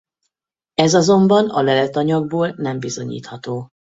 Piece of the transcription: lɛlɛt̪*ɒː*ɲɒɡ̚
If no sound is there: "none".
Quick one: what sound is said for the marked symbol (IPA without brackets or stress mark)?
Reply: ɒ